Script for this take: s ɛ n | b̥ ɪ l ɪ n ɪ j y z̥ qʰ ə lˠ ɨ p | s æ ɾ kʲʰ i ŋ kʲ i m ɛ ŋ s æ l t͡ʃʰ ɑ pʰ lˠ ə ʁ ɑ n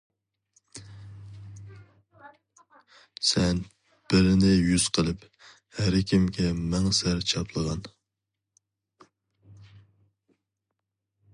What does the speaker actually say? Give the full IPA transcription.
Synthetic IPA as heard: s ɛ n | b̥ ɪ ɾ ɪ n ɪ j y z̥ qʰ ə lˠ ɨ p | h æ ɾ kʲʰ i m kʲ ɛ m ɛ ŋ s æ ɾ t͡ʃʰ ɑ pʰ lˠ ə ʁ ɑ n